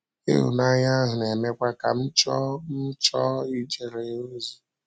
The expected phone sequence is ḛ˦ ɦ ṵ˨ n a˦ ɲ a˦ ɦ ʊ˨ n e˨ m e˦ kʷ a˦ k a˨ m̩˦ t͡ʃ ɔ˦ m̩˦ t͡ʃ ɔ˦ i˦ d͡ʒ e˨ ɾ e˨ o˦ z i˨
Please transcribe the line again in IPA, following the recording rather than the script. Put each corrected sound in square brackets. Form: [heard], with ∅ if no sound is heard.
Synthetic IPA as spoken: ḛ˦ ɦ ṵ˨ n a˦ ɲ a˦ ɦ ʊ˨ n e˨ m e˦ kʷ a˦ k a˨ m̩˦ t͡ʃ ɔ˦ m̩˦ t͡ʃ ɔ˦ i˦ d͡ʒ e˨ ɾ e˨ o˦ z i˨